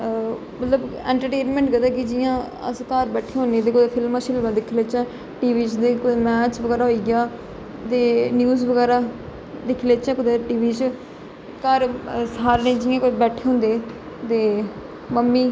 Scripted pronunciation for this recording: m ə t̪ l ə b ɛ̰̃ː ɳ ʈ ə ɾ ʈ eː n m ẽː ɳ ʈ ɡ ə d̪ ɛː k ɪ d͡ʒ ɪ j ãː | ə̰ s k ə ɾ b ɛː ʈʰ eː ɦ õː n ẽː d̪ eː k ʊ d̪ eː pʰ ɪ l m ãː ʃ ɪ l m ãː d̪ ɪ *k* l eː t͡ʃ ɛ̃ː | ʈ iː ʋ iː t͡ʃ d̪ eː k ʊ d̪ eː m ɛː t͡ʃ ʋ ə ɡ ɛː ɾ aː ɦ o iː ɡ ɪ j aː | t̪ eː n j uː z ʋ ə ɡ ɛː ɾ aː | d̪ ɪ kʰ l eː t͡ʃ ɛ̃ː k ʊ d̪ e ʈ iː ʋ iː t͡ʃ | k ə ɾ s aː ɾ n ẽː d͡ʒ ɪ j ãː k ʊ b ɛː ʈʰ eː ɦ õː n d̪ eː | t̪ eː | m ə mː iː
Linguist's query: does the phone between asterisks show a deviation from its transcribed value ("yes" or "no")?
yes